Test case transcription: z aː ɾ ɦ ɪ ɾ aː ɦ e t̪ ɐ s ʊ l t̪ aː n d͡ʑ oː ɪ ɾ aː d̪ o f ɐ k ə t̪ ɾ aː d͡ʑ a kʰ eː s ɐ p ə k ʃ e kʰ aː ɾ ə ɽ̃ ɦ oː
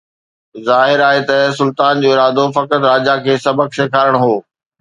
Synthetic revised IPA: z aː ɦ ɪ ɾ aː ɦ e t̪ ɐ s ʊ l t̪ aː n d͡ʑ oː ɪ ɾ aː d̪ o f ɐ k ə t̪ ɾ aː d͡ʑ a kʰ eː s ɐ b ə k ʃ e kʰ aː ɾ ə ɽ̃ ɦ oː